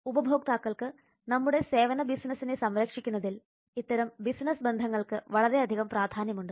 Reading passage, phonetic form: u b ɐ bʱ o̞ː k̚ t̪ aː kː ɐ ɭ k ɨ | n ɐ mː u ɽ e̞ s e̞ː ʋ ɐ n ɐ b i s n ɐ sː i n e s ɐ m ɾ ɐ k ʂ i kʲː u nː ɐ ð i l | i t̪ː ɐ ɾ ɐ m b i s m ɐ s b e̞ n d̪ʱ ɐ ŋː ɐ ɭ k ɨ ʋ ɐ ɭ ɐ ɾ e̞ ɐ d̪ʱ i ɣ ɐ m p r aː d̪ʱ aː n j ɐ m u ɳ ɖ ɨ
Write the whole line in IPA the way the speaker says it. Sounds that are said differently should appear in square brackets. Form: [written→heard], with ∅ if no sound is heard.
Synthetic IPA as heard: u b ɐ bʱ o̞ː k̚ t̪ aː kː ɐ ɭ k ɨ | n ɐ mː u ɽ e̞ s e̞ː ʋ ɐ n ɐ b i s n ɐ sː i n e s ɐ m ɾ ɐ k ʂ i kʲː u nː ɐ ð i l | i t̪ː ɐ ɾ ɐ m b i s [m→n] ɐ s b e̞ n d̪ʱ ɐ ŋː ɐ ɭ k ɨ ʋ ɐ ɭ ɐ ɾ e̞ ɐ d̪ʱ i ɣ ɐ m p r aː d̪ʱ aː n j ɐ m u ɳ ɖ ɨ